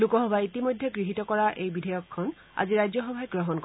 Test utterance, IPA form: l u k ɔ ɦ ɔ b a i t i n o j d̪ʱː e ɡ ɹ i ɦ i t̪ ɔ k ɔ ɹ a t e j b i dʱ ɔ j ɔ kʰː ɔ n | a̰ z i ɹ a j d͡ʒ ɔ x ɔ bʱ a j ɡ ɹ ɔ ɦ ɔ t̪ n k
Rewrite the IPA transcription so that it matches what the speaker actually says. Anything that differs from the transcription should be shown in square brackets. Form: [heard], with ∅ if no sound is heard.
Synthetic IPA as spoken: l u k ɔ ɦ ɔ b a i t i [m] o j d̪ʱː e ɡ ɹ i ɦ i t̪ ɔ k ɔ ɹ a [ʔ] e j b i dʱ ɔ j ɔ kʰː ɔ n | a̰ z i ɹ a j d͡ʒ ɔ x ɔ bʱ a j ɡ ɹ ɔ ɦ ɔ [∅] n k

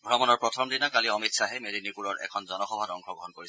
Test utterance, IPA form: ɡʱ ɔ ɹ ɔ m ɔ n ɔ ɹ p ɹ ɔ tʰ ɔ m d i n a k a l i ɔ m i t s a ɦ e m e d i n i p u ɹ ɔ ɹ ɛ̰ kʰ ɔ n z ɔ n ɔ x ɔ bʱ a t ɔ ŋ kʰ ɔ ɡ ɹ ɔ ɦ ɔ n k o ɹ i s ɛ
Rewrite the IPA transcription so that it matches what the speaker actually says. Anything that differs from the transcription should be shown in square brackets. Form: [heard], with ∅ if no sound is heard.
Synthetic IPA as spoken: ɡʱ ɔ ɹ ɔ m ɔ n ɔ ɹ p ɹ ɔ tʰ ɔ m d i n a k a l i ɔ m i t s a ɦ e m e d i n i p u ɹ ɔ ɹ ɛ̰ kʰ ɔ n z ɔ n ɔ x ɔ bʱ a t ɔ ŋ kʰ ɔ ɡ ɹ ɔ ɦ ɔ n k o ɹ i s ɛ

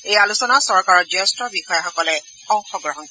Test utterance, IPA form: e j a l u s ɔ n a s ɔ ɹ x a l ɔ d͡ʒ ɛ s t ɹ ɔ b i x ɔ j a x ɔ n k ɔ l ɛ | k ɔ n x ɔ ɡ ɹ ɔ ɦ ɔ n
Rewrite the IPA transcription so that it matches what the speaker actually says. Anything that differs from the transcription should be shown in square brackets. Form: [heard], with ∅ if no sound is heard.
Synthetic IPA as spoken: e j a l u s ɔ n a s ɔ ɹ [k] a [ɹ] ɔ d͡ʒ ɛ s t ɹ ɔ b i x ɔ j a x ɔ [∅] k ɔ l ɛ | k ɔ [ŋ] x ɔ ɡ ɹ ɔ ɦ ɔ n

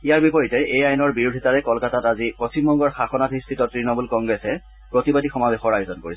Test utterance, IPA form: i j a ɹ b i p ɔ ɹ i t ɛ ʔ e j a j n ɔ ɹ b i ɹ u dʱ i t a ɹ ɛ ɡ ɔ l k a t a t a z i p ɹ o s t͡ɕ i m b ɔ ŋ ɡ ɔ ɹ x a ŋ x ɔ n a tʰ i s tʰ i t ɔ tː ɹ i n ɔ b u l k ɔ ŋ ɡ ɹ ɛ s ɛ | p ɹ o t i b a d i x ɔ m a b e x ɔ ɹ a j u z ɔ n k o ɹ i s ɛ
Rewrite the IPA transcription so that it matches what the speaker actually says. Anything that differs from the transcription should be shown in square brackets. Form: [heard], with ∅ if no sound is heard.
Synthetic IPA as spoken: i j a ɹ b i p ɔ ɹ i t ɛ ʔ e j a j n ɔ ɹ b i ɹ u dʱ i t a ɹ ɛ [k] ɔ l k a t a t a z i p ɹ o s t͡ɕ i m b ɔ ŋ ɡ ɔ ɹ x a [∅] x ɔ n a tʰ i s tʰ i t ɔ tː ɹ i n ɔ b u l k ɔ ŋ ɡ ɹ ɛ s ɛ | p ɹ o t i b a d i x ɔ m a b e x ɔ ɹ a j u z ɔ n k o ɹ i s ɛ

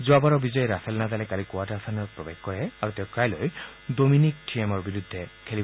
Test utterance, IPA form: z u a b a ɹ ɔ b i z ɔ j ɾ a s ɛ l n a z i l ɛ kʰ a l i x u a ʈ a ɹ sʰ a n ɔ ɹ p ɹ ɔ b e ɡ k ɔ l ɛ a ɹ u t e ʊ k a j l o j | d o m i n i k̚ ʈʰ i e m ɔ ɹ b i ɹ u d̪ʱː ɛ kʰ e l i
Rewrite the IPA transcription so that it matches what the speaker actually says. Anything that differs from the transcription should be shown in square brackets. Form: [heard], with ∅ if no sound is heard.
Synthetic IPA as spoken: z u a b a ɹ ɔ b i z ɔ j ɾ a s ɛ l n a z [a] l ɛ [k] a l i [k] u a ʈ a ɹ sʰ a n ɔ ɹ p ɹ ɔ b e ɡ k ɔ [ɹ] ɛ a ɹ u t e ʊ k a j l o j | d o m i n i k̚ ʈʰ i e m ɔ ɹ b i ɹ u d̪ʱː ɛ kʰ e l i

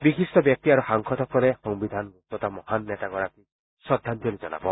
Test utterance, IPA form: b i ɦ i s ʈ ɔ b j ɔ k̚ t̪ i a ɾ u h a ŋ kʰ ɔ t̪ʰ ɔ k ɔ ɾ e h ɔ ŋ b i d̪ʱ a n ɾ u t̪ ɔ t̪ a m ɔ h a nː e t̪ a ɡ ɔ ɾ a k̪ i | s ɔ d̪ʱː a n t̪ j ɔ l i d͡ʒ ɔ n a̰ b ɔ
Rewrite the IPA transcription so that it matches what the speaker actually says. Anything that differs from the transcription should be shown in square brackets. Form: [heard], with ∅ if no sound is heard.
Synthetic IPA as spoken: b i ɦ i s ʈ ɔ b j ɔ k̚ t̪ i a ɾ u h a ŋ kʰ ɔ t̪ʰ ɔ k ɔ ɾ e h ɔ ŋ b i d̪ʱ a n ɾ u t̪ ɔ t̪ a m ɔ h a nː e t̪ a ɡ ɔ ɾ a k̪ i | s ɔ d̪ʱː a n t̪ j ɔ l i d͡ʒ ɔ n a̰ b ɔ

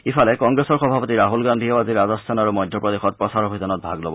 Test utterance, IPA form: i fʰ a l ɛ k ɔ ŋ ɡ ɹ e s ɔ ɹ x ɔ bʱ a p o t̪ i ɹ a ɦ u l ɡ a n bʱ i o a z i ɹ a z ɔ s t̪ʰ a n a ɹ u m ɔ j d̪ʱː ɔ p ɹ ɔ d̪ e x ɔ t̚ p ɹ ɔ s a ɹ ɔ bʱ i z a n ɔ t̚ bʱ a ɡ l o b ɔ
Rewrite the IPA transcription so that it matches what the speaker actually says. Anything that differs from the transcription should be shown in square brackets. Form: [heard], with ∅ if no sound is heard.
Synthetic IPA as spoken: i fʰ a l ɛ k ɔ ŋ ɡ ɹ e s ɔ ɹ x ɔ bʱ a p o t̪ i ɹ a ɦ u l ɡ a n [dʱ] i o a z i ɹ a z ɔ s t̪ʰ a n a ɹ u m ɔ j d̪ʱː ɔ p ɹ ɔ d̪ e x ɔ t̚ p ɹ ɔ s a ɹ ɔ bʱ i z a n ɔ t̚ bʱ a ɡ l o b ɔ

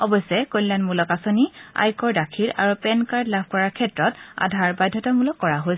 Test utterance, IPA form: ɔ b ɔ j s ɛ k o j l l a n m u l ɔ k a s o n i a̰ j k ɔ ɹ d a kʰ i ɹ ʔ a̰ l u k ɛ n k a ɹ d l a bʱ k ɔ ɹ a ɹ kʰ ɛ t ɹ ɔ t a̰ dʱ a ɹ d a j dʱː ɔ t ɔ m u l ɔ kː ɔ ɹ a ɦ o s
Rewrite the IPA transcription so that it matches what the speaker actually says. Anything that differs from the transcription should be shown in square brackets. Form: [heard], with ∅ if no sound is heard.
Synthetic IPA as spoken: ɔ b ɔ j s ɛ k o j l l a n m u l ɔ k a s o n i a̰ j k ɔ ɹ d a kʰ i ɹ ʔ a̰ [ɹ] u [p] ɛ n k a ɹ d l a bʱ k ɔ ɹ a ɹ kʰ ɛ t ɹ ɔ t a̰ dʱ a ɹ [b] a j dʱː ɔ t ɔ m u l ɔ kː ɔ ɹ a ɦ o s

